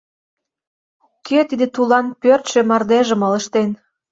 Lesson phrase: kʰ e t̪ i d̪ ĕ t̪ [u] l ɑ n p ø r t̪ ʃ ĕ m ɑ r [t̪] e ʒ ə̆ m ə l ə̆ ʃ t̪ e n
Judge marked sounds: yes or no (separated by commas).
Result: yes, no